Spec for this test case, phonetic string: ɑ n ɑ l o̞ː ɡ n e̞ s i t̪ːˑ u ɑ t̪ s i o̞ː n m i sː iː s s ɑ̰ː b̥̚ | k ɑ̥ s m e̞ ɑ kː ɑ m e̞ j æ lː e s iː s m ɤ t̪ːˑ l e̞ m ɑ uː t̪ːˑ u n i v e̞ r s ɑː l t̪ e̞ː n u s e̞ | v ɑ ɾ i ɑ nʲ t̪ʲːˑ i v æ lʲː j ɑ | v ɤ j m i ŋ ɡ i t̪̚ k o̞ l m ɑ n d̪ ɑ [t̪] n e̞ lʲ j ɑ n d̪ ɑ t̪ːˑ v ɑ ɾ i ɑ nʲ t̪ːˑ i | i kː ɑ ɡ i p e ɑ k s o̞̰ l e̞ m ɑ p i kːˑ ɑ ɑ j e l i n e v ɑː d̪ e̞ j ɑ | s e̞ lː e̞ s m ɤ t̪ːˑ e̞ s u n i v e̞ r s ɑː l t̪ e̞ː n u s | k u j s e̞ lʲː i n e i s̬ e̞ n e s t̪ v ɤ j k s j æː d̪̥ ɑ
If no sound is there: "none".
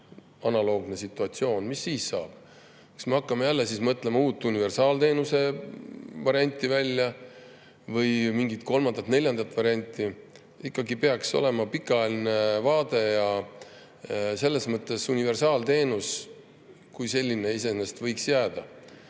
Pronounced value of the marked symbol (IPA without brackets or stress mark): t̪